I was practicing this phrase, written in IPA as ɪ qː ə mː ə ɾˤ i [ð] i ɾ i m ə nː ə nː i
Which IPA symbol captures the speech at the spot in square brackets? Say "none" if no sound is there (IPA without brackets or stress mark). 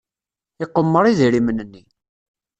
ð